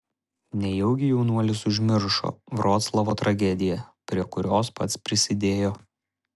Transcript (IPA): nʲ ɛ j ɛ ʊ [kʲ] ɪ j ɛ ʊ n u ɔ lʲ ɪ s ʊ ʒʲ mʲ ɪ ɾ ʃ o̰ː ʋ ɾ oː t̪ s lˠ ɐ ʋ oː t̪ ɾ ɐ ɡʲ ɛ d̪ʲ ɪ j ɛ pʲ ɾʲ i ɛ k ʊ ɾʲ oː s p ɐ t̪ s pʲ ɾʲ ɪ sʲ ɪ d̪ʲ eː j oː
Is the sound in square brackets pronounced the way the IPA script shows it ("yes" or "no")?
no